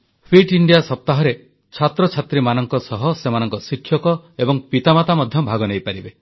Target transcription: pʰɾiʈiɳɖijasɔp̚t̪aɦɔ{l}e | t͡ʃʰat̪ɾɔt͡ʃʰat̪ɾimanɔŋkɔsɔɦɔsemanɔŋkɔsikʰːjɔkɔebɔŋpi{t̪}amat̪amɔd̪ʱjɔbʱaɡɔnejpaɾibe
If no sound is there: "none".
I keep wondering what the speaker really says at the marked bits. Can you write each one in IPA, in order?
ɾ, t̪

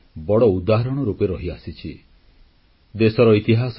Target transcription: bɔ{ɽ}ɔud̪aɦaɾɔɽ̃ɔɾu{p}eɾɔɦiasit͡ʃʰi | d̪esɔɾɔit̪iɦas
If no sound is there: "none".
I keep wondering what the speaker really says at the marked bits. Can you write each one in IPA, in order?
ɽ, p

